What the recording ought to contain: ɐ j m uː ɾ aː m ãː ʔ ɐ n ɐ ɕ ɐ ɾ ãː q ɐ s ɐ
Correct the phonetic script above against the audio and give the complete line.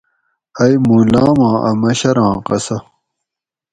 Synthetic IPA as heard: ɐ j m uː l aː m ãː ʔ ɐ m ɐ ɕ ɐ ɾ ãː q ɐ s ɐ